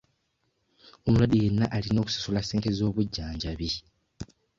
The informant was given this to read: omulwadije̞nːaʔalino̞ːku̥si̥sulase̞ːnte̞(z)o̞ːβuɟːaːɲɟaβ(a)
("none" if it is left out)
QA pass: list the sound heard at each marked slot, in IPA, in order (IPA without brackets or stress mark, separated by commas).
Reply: z, i